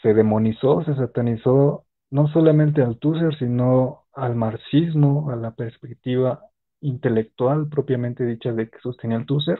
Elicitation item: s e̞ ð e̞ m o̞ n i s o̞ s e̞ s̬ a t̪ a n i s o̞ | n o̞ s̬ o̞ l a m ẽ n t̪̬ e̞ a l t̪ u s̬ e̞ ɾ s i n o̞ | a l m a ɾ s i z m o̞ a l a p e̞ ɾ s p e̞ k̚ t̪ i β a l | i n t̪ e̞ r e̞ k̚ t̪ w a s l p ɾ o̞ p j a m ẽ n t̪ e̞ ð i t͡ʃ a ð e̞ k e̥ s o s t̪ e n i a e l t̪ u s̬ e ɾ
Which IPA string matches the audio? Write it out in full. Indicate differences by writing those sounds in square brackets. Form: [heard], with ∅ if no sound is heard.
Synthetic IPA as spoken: s e̞ ð e̞ m o̞ n i s o̞ s e̞ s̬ a t̪ a n i s o̞ | n o̞ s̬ o̞ l a m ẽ n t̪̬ e̞ a l t̪ u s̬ e̞ ɾ s i n o̞ | a l m a ɾ s i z m o̞ a l a p e̞ ɾ s p e̞ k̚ t̪ i β a [∅] | i n t̪ e̞ [l] e̞ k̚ t̪ w a [∅] l p ɾ o̞ p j a m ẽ n t̪ e̞ ð i t͡ʃ a ð e̞ k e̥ s o s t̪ e n i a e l t̪ u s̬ e ɾ